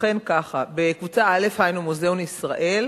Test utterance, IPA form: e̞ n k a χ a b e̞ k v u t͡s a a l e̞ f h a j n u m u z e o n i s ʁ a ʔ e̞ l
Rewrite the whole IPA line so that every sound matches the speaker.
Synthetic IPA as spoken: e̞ n k a χ a b e̞ k v u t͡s a a l e̞ f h a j n u m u z e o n i s ʁ a ʔ e̞ l